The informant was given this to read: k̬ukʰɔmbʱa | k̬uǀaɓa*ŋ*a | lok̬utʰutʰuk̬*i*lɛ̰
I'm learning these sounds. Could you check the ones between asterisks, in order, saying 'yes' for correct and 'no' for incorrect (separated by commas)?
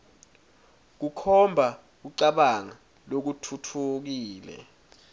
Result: yes, no